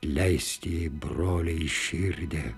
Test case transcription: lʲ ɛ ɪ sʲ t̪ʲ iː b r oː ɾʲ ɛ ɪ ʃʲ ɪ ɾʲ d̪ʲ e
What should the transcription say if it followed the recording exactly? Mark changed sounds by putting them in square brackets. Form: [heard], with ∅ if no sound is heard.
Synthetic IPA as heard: lʲ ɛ ɪ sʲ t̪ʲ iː b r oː [lʲ] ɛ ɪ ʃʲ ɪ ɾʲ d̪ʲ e